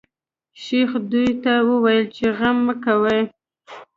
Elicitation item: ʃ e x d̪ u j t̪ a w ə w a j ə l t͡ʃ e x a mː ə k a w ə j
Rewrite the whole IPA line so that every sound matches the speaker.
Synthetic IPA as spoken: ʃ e x d̪ u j t̪ a w ə w a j ə l t͡ʃ e ɣ a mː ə k a w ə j